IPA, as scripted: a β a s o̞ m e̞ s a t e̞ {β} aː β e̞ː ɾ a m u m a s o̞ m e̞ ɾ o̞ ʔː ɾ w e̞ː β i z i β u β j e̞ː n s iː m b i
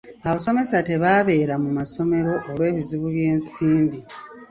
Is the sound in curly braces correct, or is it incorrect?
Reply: correct